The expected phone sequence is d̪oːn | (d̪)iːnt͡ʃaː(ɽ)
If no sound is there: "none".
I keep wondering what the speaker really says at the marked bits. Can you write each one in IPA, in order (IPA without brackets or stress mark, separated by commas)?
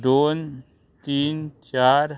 t̪, ɾ